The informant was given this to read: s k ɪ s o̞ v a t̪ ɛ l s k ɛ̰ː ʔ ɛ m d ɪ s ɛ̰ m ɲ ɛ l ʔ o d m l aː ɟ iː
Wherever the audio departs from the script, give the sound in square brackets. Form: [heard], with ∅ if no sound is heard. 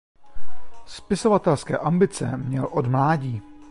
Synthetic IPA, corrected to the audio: s [p] ɪ s o̞ v a t̪ ɛ l s k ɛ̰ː ʔ [a] m [b] ɪ [t͡s] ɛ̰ m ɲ ɛ l ʔ o d m l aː ɟ iː

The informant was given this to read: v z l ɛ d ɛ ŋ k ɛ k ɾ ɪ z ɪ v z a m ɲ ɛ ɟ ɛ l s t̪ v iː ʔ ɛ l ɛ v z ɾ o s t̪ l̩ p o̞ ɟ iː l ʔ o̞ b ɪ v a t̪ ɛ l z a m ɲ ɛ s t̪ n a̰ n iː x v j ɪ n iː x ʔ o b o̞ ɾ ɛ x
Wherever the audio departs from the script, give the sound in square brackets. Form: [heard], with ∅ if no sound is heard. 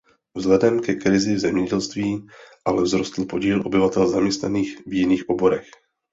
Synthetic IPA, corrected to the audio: v z l ɛ d ɛ [m] k ɛ k ɾ ɪ z ɪ v z [ɛ] m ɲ ɛ ɟ ɛ l s t̪ v iː ʔ [a] l ɛ v z ɾ o s t̪ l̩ p o̞ ɟ iː l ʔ o̞ b ɪ v a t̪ ɛ l z a m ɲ ɛ s t̪ n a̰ n iː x v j ɪ n iː x ʔ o b o̞ ɾ ɛ x

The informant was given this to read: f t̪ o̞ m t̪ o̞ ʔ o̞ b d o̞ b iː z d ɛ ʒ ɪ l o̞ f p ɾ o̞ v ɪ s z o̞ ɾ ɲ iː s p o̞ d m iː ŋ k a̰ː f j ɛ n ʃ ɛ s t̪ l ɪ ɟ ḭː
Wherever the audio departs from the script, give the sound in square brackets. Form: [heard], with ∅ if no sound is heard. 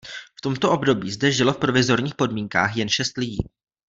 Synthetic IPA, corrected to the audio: f t̪ o̞ m t̪ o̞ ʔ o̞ b d o̞ b iː z d ɛ ʒ ɪ l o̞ f p ɾ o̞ v ɪ [∅] z o̞ ɾ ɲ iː [x] p o̞ d m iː ŋ k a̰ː [x] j ɛ n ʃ ɛ s t̪ l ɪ ɟ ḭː

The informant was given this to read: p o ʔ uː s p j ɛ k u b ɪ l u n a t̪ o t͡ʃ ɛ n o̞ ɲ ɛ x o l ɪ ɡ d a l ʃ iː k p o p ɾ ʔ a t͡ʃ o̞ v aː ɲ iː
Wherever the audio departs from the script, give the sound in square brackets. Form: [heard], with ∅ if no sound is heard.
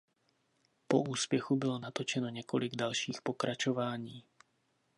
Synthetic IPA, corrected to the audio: p o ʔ uː s p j ɛ [x] u b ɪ l [o] n a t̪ o t͡ʃ ɛ n o̞ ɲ ɛ [k] o l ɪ ɡ d a l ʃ iː [x] p o [k] ɾ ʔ a t͡ʃ o̞ v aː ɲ iː

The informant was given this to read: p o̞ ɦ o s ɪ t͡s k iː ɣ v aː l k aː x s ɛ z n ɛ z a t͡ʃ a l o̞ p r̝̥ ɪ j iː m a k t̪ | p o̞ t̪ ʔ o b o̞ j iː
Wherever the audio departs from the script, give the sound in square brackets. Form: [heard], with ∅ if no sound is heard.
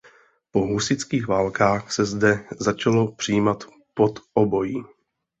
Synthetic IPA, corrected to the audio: p o̞ ɦ [u] s ɪ t͡s k iː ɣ v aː l k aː x s ɛ z [d] ɛ z a t͡ʃ a l o̞ p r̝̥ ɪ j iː m a [∅] t̪ | p o̞ t̪ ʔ o b o̞ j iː

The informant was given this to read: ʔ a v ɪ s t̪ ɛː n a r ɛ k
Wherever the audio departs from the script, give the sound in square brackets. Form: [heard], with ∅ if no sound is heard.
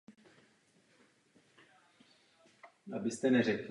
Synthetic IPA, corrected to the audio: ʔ a [b] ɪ s t̪ [ɛ] n [ɛ] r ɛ k

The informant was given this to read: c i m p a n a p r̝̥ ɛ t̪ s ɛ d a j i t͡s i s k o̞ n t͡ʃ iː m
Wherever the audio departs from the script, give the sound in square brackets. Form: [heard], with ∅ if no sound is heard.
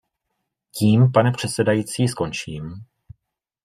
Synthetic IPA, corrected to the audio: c [iː] m p a n [ɛ] p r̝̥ ɛ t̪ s ɛ d a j i t͡s [iː] s k o̞ n t͡ʃ iː m

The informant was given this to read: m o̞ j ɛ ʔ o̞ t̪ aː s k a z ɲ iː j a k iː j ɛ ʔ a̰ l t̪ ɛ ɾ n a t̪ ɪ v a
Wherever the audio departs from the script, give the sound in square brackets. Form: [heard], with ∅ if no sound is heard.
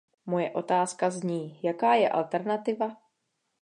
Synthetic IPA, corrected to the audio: m o̞ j ɛ ʔ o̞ t̪ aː s k a z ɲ iː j a k [aː] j ɛ ʔ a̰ l t̪ ɛ ɾ n a t̪ ɪ v a

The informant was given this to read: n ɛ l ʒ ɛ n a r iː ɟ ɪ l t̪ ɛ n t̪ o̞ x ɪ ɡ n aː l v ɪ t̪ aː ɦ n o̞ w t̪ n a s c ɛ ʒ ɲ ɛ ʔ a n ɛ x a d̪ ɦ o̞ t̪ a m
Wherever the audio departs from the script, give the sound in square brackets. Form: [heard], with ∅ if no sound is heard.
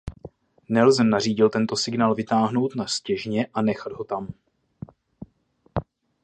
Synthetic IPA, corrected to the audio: n ɛ l [z] ɛ n a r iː ɟ ɪ l t̪ ɛ n t̪ o̞ [s] ɪ ɡ n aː l v ɪ t̪ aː ɦ n o̞ w t̪ n a s c ɛ ʒ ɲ ɛ ʔ a n ɛ x a d̪ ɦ o̞ t̪ a m

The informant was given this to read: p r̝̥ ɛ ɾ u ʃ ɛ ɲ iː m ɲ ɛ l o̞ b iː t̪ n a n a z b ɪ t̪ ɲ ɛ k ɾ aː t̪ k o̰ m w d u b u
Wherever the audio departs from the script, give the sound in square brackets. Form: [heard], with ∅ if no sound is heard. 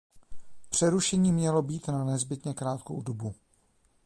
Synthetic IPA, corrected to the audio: p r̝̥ ɛ ɾ u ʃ ɛ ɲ iː m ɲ ɛ l o̞ b iː t̪ n a n [ɛ] z b ɪ t̪ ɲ ɛ k ɾ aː t̪ k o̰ [∅] w d [o] b u

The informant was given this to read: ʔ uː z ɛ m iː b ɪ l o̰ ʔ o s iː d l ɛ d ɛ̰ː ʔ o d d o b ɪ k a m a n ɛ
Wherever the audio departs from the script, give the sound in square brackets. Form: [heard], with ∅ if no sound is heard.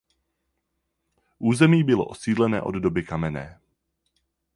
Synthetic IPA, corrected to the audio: ʔ uː z ɛ m iː b ɪ l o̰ ʔ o s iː d l ɛ [n] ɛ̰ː ʔ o d d o b ɪ k a m [ɛ] n [ɛː]

